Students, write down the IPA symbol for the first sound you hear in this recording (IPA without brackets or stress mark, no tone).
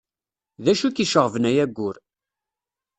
ð